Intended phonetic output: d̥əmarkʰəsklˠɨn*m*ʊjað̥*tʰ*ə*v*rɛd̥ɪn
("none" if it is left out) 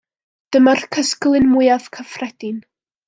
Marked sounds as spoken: m, kʰ, f

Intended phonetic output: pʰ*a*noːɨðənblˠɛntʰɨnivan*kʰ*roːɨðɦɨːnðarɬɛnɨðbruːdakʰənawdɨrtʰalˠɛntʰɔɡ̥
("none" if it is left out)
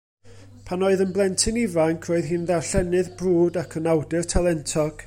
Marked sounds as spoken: a, kʰ

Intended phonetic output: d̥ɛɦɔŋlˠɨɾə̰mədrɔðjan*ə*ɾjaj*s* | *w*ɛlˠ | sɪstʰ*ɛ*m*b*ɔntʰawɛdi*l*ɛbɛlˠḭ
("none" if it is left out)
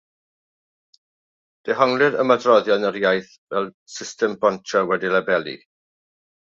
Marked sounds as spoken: ə, θ, v, ɛ, b, l

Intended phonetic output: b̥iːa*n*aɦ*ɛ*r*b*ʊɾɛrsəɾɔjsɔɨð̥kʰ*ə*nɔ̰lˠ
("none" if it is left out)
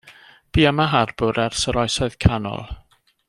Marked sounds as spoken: m, a, b, a

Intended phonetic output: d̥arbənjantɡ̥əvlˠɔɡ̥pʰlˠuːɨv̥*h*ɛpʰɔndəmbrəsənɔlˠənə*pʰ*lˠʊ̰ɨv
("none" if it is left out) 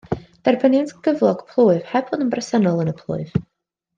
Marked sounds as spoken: h, pʰ

